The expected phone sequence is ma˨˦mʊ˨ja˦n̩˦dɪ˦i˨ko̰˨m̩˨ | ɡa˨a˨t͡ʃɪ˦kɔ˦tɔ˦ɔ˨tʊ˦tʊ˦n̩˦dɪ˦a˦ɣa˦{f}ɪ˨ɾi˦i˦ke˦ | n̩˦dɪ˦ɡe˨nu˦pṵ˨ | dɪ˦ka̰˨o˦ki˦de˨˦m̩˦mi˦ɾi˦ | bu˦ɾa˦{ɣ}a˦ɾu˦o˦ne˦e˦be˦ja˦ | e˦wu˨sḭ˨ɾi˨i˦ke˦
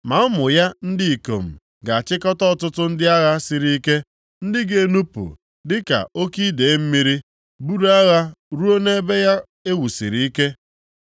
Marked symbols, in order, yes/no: no, yes

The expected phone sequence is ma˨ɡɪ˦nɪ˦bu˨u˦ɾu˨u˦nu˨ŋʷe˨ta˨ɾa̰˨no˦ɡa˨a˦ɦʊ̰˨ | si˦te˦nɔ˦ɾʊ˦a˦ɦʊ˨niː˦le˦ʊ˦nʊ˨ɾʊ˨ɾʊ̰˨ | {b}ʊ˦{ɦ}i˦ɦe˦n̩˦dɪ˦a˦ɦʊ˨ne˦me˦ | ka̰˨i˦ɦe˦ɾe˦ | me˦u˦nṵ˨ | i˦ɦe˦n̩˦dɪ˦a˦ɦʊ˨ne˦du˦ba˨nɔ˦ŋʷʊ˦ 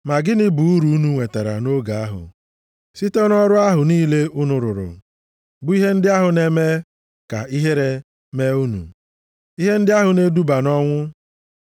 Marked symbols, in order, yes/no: yes, no

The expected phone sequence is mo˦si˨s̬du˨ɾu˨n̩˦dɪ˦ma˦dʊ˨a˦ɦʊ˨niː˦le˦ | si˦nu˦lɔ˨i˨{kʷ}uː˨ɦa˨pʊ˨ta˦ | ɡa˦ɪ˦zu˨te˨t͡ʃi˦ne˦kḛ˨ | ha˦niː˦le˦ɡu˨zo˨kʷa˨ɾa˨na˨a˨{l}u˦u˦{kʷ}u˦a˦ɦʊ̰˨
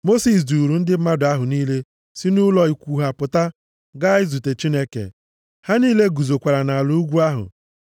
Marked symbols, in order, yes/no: yes, yes, no

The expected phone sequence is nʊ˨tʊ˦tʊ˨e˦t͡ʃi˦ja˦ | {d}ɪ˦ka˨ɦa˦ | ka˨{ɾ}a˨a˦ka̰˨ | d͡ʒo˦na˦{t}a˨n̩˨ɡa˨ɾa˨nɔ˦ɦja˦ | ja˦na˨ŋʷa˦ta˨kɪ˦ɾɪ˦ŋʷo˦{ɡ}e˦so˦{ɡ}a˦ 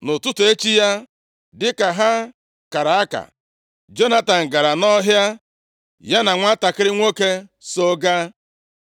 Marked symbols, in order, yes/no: yes, yes, yes, no, yes

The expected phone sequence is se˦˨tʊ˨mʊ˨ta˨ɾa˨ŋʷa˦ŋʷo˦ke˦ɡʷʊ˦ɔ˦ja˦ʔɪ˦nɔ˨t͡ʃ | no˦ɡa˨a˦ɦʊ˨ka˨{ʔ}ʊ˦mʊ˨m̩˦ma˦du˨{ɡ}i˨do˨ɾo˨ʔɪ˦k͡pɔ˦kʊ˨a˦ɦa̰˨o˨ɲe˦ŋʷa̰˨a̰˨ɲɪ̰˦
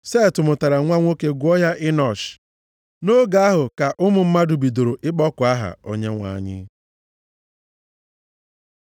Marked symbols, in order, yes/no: yes, no

